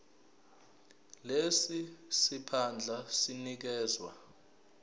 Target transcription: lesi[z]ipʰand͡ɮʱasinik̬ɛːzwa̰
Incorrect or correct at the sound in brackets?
incorrect: s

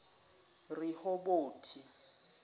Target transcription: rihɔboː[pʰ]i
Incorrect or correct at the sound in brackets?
incorrect: tʰ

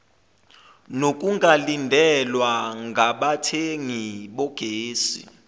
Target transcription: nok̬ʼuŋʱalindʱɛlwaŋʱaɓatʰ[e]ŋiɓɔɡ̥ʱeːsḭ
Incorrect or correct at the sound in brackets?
correct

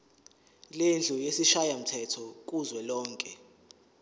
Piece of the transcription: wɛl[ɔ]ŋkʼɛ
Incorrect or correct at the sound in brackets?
incorrect: ɔː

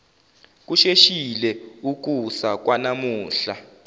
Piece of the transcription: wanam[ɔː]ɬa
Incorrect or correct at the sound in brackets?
incorrect: uː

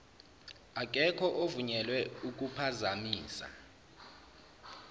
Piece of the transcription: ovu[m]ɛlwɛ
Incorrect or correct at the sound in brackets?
incorrect: ɲ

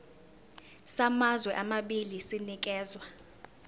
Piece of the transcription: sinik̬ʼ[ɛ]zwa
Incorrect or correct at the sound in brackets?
incorrect: ɛː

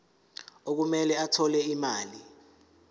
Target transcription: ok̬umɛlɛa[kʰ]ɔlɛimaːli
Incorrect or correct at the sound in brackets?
incorrect: tʰ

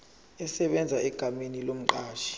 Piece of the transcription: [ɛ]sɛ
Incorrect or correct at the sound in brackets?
correct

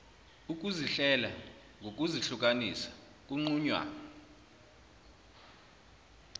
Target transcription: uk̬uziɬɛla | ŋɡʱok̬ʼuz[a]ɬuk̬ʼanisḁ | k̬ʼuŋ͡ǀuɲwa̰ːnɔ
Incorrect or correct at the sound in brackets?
incorrect: i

